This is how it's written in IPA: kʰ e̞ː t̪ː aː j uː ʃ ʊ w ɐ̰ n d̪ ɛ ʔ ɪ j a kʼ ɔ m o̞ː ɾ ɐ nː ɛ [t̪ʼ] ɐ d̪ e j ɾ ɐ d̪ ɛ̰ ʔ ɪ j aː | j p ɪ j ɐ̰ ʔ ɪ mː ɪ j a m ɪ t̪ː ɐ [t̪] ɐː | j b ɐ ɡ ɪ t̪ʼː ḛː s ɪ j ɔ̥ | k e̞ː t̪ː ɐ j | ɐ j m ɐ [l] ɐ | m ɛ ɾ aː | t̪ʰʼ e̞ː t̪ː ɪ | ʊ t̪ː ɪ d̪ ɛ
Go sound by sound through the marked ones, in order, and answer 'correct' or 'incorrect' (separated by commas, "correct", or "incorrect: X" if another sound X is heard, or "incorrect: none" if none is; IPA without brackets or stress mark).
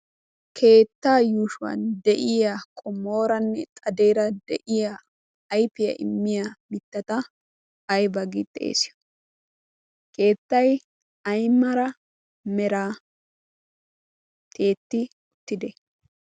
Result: correct, correct, incorrect: ɾ